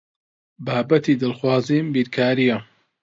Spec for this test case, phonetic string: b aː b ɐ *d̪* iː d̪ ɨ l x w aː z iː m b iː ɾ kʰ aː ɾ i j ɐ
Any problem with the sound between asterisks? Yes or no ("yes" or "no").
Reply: yes